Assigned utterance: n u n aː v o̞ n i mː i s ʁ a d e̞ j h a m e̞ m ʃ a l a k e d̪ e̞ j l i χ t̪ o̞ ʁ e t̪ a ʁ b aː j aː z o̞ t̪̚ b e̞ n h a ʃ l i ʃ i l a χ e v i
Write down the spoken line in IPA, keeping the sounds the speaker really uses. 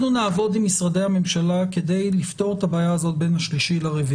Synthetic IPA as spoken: n u n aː v o̞ d i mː i s ʁ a d e̞ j h a m e̞ m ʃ a l a k e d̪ e̞ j l i f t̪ o̞ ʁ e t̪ a b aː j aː z o̞ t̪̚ b e̞ n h a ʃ l i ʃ i l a ʁ e v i